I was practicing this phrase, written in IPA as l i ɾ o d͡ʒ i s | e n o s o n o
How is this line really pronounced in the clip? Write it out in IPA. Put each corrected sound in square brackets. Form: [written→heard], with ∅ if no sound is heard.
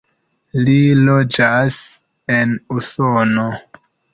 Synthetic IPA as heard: l i [ɾ→l] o d͡ʒ [i→a] s | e n [o→u] s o n o